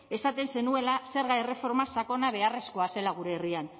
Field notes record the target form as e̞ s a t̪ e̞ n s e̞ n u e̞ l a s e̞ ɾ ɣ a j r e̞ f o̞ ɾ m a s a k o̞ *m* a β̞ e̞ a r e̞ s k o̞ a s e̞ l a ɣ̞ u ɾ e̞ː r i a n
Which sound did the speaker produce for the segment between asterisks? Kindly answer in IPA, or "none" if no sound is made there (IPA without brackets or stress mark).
n